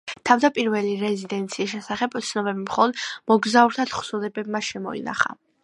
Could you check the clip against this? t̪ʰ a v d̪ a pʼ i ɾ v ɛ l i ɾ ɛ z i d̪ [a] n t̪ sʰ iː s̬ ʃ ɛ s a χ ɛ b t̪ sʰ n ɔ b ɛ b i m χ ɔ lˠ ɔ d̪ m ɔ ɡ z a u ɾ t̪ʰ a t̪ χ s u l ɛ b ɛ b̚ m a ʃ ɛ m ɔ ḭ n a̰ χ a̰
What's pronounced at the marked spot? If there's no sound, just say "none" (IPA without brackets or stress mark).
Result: ɛ